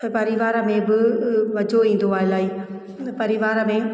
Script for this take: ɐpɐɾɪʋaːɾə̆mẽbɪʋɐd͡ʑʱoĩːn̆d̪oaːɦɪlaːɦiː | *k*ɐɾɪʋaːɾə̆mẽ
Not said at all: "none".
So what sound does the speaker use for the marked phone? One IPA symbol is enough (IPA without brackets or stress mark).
p